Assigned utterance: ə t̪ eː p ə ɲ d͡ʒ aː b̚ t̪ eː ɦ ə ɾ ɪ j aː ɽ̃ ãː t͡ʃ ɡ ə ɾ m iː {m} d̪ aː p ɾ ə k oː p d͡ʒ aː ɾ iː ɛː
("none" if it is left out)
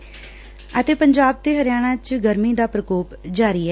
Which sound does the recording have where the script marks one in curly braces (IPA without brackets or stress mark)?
none